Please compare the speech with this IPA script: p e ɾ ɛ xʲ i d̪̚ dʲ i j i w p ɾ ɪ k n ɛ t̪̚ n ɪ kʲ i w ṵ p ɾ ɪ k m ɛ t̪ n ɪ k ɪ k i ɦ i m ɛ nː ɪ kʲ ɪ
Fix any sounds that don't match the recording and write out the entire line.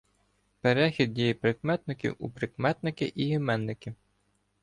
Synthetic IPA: p e ɾ ɛ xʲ i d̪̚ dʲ i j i p ɾ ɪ k m ɛ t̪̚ n ɪ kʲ i w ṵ p ɾ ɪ k m ɛ t̪ n ɪ k ɪ ʔ i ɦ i m ɛ nː ɪ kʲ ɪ